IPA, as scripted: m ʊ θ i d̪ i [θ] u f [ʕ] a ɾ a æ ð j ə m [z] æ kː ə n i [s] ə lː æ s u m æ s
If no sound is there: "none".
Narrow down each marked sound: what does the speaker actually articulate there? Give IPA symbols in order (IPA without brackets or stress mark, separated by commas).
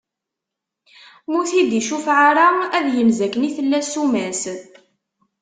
ʃ, ʕ, z, θ